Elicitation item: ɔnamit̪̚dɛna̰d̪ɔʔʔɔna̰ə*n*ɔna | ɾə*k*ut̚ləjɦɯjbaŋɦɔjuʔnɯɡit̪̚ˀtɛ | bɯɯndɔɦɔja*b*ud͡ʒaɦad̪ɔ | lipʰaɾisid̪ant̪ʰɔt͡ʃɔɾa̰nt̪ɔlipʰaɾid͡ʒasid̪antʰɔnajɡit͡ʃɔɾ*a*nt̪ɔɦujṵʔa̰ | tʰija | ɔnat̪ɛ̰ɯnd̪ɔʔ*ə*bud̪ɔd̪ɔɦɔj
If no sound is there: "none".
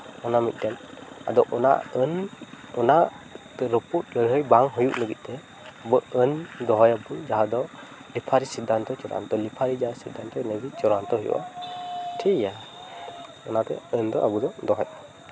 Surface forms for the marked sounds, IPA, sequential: n, p, b, a, a

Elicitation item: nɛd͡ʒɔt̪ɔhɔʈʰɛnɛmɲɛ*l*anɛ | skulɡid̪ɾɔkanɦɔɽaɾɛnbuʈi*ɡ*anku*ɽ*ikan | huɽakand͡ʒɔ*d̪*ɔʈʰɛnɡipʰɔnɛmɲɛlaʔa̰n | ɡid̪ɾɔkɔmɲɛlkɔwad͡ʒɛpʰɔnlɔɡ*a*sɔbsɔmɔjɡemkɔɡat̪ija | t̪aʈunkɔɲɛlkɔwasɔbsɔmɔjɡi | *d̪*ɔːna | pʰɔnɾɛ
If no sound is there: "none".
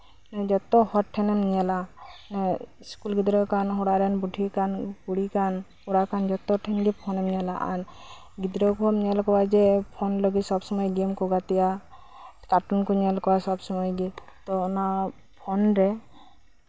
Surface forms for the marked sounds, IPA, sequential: l, k, ɽ, t̪, i, t̪

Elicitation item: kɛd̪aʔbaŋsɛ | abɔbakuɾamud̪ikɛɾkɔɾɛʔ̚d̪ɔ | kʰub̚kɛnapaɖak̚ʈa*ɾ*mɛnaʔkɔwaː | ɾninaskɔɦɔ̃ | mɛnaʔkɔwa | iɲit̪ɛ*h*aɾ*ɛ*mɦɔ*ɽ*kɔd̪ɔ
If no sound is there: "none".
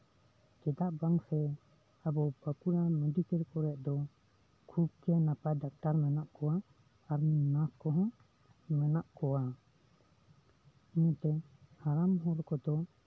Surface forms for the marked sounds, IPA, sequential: ɾ, h, a, ɾ

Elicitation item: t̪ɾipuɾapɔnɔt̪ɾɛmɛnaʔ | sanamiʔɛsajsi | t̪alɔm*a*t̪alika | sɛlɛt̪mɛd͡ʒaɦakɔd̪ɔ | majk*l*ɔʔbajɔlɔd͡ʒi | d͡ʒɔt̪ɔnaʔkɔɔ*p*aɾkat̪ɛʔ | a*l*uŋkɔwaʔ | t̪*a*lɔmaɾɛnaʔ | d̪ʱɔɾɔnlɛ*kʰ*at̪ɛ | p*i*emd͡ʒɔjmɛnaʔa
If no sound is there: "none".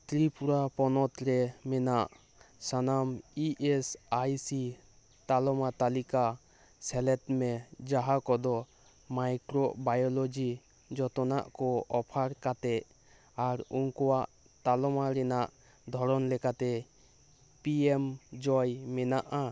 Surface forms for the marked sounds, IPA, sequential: a, ɾ, pʰ, ɾ, a, k, i

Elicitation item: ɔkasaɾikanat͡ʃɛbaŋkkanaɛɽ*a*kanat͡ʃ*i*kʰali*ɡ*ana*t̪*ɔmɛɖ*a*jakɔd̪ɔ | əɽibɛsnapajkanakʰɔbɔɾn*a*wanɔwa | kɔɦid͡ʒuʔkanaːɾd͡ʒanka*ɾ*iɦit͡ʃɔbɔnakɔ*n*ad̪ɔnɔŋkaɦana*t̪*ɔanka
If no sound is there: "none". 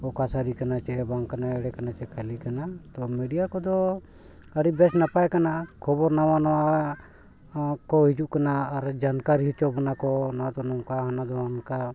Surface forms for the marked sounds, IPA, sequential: ɛ, ɛ, k, t̪, i, a, ɾ, n, d̪

